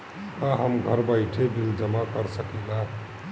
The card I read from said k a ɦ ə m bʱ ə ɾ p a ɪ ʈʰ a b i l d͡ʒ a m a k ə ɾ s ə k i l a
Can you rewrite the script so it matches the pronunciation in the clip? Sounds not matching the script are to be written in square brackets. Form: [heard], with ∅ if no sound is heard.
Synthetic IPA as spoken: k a ɦ ə m [ɡʱ] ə ɾ [b] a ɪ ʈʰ [e] b i l d͡ʒ [ə] m a k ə ɾ s ə k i l a